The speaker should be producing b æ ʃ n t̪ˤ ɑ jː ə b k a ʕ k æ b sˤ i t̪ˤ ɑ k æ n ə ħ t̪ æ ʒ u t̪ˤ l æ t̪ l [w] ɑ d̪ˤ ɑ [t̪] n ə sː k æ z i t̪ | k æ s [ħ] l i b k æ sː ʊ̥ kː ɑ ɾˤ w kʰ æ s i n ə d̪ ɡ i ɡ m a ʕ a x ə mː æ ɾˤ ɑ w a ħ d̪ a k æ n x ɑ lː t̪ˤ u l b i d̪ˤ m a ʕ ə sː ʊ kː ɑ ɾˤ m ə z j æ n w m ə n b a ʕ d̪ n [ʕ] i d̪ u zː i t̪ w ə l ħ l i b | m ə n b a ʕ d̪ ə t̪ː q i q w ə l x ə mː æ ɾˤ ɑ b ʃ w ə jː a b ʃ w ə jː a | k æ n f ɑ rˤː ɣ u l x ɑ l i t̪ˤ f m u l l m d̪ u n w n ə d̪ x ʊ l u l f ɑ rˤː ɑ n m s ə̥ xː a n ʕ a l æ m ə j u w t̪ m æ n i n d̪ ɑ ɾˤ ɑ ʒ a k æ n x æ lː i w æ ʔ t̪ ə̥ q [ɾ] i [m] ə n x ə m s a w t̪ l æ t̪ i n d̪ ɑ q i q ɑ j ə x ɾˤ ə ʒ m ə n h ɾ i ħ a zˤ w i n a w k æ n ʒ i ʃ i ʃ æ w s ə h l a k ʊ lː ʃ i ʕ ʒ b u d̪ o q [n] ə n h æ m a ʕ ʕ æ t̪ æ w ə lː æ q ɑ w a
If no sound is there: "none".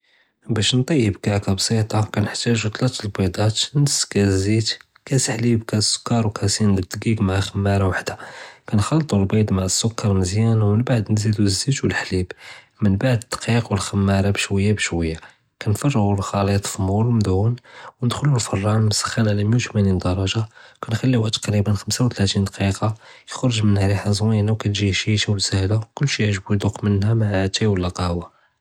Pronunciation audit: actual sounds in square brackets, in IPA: b, t̪, ħ, z, ɾ, b, m

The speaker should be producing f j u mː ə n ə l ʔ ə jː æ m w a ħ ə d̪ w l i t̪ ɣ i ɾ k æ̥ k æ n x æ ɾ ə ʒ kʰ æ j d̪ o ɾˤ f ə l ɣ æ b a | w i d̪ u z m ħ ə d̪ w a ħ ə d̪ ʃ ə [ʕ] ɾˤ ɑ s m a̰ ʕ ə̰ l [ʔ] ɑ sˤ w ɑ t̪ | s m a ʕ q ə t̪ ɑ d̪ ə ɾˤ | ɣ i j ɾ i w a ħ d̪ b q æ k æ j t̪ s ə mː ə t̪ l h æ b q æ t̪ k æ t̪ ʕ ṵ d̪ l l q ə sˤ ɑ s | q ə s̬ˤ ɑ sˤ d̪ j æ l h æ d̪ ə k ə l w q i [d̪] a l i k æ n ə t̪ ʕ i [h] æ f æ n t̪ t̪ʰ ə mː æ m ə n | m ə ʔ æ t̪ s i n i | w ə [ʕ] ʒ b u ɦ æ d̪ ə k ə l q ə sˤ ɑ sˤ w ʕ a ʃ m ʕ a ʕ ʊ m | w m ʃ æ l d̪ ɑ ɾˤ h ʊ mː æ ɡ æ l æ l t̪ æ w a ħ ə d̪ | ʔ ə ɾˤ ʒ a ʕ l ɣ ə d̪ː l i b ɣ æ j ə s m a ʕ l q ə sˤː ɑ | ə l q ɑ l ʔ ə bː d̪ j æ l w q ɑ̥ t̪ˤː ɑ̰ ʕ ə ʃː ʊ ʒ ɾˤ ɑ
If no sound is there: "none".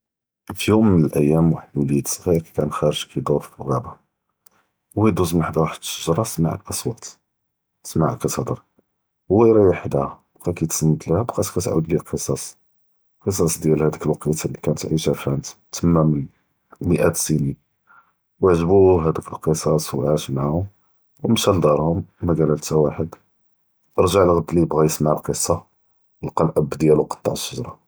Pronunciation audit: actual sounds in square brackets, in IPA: ʒ, ʔ, t̪, ʃ, ʕ

